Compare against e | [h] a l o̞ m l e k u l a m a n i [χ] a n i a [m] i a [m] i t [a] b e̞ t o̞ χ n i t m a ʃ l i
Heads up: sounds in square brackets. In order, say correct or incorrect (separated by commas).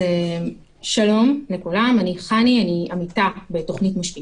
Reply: incorrect, correct, incorrect, correct, correct